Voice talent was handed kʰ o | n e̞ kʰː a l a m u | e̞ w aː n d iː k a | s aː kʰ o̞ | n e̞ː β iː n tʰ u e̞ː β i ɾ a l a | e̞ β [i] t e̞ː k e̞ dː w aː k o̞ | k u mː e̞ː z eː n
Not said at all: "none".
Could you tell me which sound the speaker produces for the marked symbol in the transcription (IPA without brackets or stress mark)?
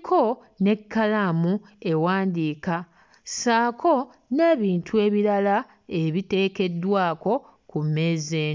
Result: i